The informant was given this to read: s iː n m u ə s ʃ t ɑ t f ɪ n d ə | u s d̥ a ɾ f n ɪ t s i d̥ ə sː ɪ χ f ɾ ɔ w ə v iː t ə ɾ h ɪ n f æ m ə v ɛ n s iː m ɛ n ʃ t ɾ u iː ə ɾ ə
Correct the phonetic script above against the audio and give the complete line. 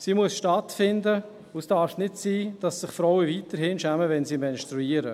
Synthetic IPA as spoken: s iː m u ə s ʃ t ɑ t f ɪ n d ə | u s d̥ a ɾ f n ɪ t s iː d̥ ɑ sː ɪ χ f ɾ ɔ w ə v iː t ə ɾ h ɪ n ʃ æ m ə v ɛ n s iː m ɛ n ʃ t ɾ u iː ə ɾ ə